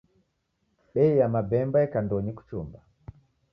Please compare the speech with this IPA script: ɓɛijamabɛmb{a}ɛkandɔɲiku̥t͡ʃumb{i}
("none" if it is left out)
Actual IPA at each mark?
a, a

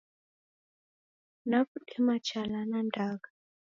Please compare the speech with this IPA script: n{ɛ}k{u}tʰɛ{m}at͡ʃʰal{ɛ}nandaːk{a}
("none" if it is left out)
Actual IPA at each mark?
a, u, m, a, a

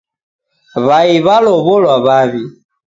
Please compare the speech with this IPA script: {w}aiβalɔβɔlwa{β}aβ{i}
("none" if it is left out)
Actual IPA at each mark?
β, β, i

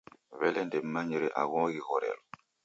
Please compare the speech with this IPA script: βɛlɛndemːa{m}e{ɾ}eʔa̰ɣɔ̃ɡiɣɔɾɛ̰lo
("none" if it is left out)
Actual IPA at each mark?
ɲ, ɾ

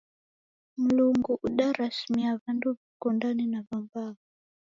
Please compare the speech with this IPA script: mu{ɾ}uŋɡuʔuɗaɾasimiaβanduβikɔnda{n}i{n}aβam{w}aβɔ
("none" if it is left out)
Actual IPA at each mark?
l, n, n, b

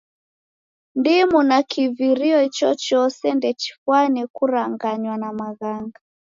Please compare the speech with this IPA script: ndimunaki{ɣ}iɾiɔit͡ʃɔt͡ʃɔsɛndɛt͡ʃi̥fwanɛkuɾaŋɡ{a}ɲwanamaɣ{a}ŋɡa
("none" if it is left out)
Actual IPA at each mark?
v, a, a

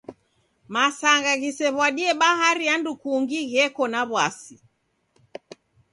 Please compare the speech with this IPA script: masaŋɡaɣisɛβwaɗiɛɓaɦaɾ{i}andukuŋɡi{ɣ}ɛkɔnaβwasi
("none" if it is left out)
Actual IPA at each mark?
i, ɣ

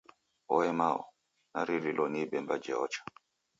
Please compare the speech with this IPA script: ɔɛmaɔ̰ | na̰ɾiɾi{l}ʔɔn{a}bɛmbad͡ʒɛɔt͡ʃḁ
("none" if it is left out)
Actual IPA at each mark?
l, i

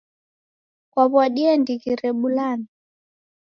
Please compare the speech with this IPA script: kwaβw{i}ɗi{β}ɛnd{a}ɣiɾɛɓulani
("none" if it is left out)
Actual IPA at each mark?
a, none, i

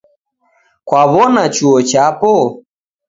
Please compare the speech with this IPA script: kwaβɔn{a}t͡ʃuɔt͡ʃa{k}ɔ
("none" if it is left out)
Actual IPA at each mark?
a, p

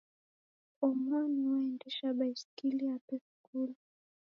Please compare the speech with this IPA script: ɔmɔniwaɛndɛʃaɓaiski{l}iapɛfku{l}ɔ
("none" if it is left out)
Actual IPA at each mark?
l, l

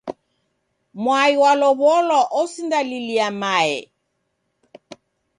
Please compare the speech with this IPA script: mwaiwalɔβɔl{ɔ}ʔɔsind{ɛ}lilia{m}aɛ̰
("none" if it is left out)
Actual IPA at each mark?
ɔ, a, m

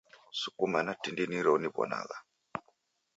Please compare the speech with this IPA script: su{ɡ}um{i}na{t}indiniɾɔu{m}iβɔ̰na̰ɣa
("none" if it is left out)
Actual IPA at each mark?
k, a, t, n

